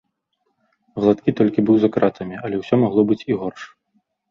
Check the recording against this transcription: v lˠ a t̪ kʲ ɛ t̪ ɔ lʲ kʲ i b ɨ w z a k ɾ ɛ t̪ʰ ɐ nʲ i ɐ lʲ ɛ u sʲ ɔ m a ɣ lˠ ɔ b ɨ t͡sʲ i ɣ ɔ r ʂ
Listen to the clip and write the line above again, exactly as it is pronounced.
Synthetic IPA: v lˠ a t̪ kʲ i t̪ ɔ lʲ kʲ i b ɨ w z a k ɾ a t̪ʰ ɐ mʲ i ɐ lʲ ɛ w sʲ ɔ m a ɣ lˠ ɔ b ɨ t͡sʲ i ɣ ɔ r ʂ